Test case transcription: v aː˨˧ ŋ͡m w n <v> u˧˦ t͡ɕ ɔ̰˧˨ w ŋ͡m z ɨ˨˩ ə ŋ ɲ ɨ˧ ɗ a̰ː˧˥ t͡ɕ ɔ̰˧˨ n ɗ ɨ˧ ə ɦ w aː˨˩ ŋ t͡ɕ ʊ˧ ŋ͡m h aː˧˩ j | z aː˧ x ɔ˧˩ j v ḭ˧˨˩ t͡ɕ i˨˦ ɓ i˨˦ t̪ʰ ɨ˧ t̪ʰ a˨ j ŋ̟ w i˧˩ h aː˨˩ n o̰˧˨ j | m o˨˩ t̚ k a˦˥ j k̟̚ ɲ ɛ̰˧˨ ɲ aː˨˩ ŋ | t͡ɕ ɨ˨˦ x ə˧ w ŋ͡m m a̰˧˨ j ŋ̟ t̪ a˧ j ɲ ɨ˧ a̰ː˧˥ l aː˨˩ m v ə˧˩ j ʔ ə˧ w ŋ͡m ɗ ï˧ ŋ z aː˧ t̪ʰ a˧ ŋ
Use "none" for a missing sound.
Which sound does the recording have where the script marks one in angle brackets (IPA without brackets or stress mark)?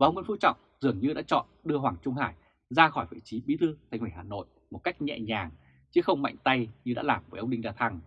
f